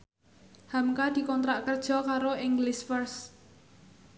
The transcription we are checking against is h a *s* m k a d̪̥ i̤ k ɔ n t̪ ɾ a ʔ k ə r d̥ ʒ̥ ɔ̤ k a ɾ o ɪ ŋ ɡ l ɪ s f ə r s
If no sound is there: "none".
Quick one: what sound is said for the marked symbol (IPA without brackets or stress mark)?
none